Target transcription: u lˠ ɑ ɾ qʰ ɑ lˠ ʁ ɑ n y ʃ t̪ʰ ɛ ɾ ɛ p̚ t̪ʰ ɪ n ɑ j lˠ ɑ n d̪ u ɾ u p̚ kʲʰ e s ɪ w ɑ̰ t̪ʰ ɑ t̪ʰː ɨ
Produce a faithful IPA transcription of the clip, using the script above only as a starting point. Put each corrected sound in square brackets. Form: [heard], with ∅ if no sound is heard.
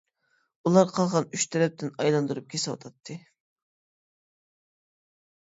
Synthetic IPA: u lˠ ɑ ɾ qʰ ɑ lˠ ʁ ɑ n y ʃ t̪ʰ ɛ ɾ ɛ p̚ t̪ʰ ɪ n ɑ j lˠ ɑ n d̪ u ɾ u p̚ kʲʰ e s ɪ w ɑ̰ t̪ʰ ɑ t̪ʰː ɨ